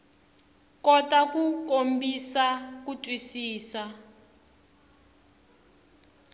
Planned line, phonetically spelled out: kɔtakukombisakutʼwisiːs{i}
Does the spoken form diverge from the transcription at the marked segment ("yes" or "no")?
yes